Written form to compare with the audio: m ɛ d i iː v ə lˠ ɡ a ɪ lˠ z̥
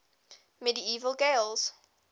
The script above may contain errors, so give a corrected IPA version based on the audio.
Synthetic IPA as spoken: m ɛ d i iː v ə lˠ ɡ e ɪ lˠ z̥